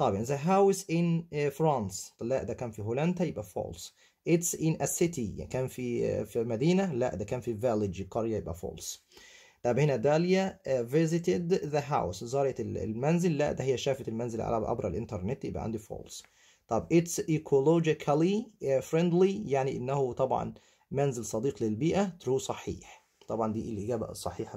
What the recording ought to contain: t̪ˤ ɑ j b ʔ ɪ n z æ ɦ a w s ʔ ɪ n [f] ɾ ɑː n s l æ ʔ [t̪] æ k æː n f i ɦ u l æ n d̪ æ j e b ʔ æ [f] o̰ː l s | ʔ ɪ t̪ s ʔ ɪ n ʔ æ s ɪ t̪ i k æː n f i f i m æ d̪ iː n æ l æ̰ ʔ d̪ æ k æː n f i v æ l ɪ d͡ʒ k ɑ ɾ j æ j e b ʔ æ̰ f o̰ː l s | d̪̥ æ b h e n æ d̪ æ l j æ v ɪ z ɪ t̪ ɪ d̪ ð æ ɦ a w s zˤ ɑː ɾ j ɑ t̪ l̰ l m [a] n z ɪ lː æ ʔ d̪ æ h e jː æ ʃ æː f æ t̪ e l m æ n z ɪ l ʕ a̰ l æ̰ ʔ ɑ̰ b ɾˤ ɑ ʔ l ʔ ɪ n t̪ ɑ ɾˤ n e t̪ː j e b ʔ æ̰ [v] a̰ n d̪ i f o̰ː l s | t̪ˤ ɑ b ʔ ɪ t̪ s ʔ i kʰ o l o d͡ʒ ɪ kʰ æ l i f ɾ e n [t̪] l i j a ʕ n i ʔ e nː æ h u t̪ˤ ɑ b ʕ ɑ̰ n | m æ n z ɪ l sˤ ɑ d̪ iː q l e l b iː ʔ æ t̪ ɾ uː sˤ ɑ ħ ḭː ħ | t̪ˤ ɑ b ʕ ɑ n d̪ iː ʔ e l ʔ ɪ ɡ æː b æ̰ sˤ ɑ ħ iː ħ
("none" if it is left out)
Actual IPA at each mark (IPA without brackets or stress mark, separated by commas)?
f, d̪, f, æ, ʕ, d̪